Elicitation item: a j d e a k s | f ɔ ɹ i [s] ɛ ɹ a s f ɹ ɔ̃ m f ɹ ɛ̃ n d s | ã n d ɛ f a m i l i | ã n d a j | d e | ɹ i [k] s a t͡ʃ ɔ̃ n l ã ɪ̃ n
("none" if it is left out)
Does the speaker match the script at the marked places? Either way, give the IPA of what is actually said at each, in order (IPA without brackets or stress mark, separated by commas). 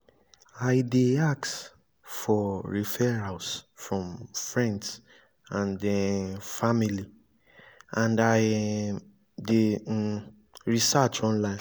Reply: f, none